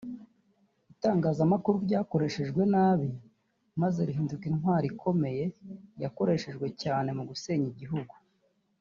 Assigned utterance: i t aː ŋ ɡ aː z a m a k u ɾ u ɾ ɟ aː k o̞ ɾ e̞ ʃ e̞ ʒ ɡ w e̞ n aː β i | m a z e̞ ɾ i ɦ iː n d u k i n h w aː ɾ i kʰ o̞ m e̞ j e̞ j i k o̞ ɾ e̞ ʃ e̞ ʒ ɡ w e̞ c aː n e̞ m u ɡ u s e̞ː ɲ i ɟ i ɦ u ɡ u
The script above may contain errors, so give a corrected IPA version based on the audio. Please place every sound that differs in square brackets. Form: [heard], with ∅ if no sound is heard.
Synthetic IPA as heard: i t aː ŋ ɡ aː z a m a k u ɾ u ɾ ɟ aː k o̞ ɾ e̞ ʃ e̞ ʒ ɡ w e̞ n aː β i | m a z e̞ ɾ i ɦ iː n d u k i n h w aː ɾ i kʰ o̞ m e̞ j e̞ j [a] k o̞ ɾ e̞ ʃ e̞ ʒ ɡ w e̞ c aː n e̞ m u ɡ u s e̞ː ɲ i ɟ i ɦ u ɡ u